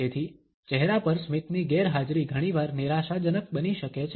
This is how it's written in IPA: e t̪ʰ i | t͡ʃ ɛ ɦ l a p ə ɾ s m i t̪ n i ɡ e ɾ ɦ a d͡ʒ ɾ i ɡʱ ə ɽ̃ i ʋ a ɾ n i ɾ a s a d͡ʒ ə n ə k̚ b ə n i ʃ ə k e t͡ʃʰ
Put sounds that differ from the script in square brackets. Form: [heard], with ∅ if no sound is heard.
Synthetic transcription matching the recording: e t̪ʰ i | t͡ʃ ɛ ɦ [ɾ] a p ə ɾ s m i t̪ n i ɡ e ɾ ɦ a d͡ʒ ɾ i ɡʱ ə ɽ̃ i ʋ a ɾ n i ɾ a [ʃ] a d͡ʒ ə n ə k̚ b ə n i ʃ ə k e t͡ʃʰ